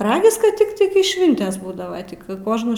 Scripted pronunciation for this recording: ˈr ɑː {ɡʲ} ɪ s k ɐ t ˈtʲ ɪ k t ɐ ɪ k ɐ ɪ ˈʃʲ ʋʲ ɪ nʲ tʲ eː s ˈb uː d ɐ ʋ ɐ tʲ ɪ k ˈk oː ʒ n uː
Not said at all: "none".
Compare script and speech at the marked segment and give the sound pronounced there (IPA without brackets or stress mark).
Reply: ɡʲ